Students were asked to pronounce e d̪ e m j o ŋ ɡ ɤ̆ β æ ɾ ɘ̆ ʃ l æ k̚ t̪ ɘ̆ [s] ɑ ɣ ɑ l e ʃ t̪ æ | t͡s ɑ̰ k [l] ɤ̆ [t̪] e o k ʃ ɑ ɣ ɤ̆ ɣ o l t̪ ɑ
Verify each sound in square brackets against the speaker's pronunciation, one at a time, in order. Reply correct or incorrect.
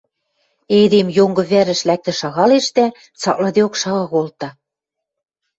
incorrect: ʃ, correct, incorrect: d̪

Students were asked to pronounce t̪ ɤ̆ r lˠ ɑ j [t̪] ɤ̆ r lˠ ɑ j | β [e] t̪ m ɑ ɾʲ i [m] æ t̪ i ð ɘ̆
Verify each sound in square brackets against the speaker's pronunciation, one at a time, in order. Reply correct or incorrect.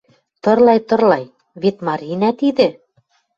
correct, correct, incorrect: n

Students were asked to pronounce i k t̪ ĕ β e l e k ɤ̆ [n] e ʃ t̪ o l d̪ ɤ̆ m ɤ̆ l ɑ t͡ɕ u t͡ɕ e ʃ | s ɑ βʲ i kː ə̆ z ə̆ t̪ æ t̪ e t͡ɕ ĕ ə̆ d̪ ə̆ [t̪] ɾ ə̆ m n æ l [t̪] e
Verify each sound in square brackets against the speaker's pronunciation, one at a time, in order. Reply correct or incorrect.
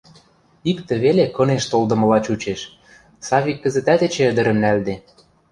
correct, incorrect: none, incorrect: d̪

